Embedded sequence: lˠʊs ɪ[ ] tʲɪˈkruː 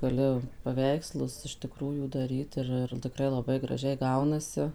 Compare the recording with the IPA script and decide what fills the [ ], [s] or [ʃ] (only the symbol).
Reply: ʃ